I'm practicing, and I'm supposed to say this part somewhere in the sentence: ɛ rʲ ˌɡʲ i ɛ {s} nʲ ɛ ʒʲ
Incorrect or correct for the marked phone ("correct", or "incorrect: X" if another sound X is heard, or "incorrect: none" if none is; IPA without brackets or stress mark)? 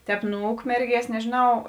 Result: correct